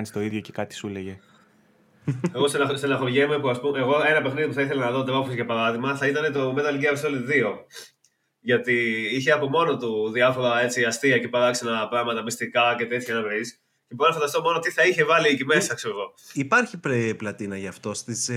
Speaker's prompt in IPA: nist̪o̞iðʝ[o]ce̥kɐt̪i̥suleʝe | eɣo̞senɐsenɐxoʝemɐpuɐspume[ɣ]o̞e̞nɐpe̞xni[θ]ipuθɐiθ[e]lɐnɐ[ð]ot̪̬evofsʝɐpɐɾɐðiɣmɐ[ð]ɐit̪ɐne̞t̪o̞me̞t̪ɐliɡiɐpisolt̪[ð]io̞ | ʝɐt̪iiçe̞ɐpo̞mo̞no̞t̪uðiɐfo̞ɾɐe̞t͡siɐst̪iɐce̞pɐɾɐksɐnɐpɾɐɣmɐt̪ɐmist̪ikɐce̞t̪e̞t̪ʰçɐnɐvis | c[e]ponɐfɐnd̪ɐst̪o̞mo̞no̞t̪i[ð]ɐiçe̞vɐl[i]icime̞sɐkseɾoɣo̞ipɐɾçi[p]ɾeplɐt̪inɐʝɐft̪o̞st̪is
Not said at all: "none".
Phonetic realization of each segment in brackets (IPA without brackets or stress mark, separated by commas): o, ɣ, ð, e, ð, θ, ð, e, θ, i, p